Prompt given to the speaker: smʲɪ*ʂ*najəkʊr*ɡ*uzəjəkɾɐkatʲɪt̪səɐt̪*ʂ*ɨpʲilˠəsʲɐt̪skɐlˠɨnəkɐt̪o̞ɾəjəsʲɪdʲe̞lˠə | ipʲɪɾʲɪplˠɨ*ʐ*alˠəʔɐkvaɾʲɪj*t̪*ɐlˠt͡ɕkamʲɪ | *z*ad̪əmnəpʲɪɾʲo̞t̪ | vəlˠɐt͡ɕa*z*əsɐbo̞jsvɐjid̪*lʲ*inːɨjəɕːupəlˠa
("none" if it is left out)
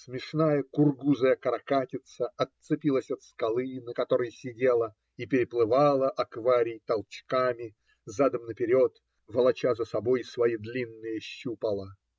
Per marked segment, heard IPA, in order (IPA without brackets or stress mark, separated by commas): ʂ, ɡ, s, v, t̪, z, z, lʲ